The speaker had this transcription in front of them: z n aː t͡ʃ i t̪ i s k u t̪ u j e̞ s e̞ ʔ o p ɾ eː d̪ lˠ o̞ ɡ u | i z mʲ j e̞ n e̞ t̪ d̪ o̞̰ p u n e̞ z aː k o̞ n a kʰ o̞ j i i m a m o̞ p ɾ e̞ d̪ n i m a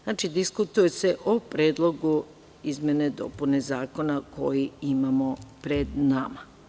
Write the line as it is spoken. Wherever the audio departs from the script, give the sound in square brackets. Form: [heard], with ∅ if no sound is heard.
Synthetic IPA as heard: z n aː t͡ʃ i [d̪] i s k u t̪ u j e̞ s e̞ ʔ o p ɾ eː d̪ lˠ o̞ ɡ u | i z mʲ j e̞ n e̞ [∅] d̪ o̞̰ p u n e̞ z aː k o̞ n a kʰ o̞ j i i m a m o̞ p ɾ e̞ d̪ n [a] m a